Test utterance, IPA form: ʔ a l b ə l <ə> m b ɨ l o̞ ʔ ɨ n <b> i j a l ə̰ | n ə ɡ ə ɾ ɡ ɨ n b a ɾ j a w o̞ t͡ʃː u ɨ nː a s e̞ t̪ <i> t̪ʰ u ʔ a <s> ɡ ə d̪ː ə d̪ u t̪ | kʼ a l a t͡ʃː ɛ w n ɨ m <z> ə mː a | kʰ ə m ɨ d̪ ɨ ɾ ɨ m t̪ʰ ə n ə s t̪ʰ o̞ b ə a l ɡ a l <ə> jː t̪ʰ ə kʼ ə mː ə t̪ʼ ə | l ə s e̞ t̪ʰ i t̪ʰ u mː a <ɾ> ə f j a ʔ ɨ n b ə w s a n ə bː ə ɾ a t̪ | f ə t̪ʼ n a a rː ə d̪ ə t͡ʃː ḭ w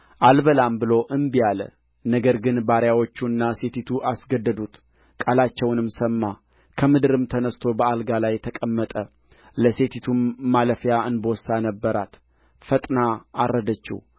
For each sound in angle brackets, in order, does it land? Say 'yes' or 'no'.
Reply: no, yes, yes, yes, no, no, no

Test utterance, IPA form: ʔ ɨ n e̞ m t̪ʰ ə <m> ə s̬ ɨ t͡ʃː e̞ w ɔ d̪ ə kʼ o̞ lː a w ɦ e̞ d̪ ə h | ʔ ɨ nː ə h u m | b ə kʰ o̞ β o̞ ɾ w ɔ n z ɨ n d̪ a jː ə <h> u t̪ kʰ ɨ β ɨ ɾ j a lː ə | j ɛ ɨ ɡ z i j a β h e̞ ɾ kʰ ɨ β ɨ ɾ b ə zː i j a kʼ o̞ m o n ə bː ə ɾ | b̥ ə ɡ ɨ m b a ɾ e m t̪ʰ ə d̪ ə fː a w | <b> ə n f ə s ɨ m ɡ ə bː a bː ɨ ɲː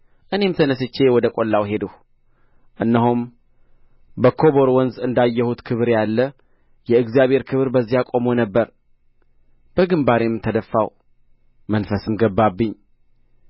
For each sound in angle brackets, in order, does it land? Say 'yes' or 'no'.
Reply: no, yes, no

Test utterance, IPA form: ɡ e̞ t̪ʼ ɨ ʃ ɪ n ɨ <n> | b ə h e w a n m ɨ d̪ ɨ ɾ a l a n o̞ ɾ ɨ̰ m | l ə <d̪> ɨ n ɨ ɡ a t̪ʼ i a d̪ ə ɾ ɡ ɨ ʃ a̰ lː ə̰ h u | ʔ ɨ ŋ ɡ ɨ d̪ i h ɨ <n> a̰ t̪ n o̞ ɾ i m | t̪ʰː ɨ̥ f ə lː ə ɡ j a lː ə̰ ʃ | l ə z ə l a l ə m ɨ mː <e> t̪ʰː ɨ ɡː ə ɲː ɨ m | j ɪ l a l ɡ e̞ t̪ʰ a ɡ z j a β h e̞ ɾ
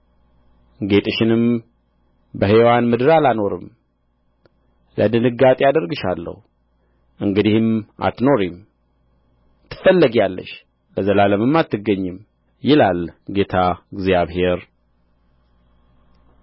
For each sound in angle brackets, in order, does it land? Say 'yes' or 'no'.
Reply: no, yes, no, no

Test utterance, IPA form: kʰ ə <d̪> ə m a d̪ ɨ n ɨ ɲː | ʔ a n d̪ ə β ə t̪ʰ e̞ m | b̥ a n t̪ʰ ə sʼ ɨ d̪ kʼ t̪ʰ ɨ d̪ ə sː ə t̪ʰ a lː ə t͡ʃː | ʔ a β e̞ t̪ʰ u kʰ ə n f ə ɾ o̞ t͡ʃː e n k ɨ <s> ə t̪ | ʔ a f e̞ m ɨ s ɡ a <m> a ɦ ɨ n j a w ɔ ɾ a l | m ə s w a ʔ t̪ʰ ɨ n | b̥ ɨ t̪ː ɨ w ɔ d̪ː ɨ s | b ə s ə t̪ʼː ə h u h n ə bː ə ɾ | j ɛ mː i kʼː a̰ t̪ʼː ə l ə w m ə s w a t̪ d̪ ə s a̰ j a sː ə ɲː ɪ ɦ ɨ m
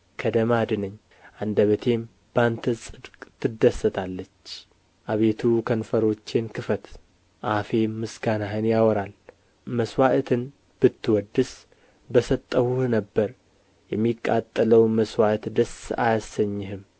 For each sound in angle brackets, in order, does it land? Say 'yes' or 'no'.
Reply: yes, no, no

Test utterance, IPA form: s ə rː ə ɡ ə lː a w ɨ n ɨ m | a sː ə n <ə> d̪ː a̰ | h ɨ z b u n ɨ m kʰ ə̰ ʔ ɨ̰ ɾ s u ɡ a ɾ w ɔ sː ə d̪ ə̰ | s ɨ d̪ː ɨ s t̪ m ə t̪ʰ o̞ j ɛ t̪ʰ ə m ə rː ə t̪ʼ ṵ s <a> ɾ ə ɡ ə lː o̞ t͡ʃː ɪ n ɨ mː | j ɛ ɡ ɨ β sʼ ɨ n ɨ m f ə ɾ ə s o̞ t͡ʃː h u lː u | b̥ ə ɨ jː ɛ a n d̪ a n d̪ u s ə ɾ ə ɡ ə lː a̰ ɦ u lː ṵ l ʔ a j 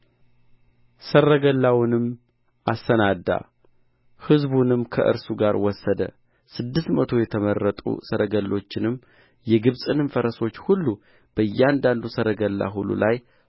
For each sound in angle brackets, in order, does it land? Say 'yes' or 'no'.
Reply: no, no

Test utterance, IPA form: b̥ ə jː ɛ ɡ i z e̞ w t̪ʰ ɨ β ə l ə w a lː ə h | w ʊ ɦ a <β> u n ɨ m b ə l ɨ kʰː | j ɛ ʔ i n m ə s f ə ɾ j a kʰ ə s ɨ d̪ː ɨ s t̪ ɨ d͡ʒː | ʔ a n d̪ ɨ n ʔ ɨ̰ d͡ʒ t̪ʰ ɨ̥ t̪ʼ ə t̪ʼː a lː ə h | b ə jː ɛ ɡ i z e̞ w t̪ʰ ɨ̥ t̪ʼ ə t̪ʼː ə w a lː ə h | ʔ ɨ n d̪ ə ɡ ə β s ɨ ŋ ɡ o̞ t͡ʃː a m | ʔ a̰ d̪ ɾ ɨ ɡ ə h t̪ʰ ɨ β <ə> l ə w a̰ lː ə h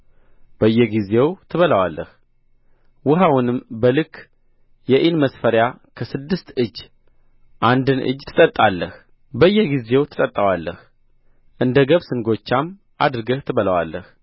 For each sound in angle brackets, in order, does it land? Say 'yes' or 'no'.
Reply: no, yes

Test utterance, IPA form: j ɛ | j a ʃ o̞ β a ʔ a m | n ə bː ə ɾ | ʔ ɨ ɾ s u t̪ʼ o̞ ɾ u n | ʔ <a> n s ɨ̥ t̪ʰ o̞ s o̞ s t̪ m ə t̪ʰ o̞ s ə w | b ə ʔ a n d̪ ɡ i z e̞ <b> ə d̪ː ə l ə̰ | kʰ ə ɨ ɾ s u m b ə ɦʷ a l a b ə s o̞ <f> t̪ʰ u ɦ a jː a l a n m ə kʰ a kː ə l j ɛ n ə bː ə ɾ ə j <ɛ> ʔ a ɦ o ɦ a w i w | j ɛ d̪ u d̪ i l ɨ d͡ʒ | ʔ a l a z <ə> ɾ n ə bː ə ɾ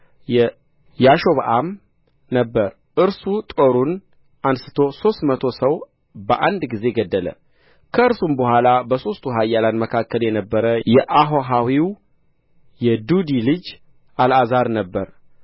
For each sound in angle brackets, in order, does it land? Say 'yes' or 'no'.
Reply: yes, no, no, yes, no

